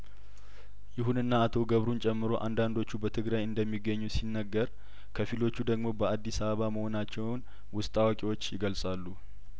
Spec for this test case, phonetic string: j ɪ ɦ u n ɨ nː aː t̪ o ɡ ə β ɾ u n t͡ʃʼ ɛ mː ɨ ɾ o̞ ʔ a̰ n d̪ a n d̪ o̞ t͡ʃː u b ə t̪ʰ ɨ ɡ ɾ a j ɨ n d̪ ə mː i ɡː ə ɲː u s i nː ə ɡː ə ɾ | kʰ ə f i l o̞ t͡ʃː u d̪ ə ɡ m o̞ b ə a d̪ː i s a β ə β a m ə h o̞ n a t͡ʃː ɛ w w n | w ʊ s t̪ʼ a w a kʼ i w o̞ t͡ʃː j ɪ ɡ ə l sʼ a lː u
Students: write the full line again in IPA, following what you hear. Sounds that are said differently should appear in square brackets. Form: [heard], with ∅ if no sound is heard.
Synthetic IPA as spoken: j ɪ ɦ u n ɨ nː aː [t̪ʰ] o ɡ ə β ɾ u n t͡ʃʼ ɛ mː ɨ ɾ o̞ ʔ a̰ n d̪ a n d̪ o̞ t͡ʃː u b ə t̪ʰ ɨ ɡ ɾ a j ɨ n d̪ ə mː i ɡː ə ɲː u s i nː ə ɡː ə ɾ | kʰ ə f i l o̞ t͡ʃː u d̪ ə ɡ m o̞ b ə a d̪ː i s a β ə β a m ə h o̞ n a t͡ʃː ɛ w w n | w ʊ s t̪ʼ a w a kʼ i w o̞ t͡ʃː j ɪ ɡ ə l sʼ a lː u